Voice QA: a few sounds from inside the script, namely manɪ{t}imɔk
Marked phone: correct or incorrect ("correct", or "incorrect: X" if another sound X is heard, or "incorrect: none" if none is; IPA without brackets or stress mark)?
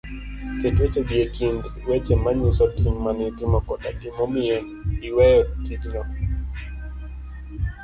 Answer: correct